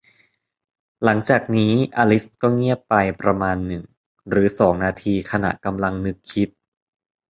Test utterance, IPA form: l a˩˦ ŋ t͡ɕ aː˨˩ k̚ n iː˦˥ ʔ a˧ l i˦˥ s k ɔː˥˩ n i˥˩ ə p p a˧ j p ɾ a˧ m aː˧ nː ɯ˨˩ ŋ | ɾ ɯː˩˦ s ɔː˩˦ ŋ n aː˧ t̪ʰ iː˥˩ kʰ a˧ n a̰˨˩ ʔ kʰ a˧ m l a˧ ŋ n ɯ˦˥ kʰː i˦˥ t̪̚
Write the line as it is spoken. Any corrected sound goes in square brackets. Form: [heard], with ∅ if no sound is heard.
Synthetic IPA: l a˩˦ ŋ t͡ɕ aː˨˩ k̚ n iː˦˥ ʔ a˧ l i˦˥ s k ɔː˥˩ [ŋ] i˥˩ ə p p a˧ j p ɾ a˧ m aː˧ nː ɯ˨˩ ŋ | ɾ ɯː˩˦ s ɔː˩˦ ŋ n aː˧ t̪ʰ [iː˧] kʰ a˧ n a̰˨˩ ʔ [k] a˧ m l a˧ ŋ n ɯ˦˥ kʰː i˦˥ t̪̚